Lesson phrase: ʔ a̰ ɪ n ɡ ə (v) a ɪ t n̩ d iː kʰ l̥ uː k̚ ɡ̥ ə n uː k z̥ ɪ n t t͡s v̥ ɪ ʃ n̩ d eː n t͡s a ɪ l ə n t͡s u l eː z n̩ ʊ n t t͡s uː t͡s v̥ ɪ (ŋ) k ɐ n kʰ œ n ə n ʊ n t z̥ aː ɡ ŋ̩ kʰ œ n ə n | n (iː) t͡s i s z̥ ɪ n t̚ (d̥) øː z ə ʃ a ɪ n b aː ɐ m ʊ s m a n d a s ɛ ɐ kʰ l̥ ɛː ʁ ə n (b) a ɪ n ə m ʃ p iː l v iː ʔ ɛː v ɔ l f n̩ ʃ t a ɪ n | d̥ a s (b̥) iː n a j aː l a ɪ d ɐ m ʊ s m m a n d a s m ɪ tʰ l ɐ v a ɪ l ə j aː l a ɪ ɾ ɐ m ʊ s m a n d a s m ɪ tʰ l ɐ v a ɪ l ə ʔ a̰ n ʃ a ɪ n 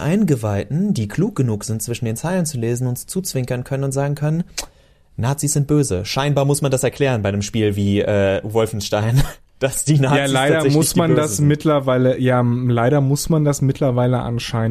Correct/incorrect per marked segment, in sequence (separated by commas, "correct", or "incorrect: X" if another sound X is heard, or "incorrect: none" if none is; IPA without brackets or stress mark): correct, correct, incorrect: aː, incorrect: b̥, correct, incorrect: d̥